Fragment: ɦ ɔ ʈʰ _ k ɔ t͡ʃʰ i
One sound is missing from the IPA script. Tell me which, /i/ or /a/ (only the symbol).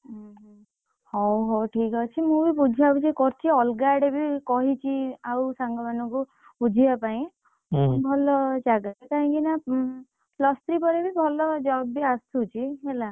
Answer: i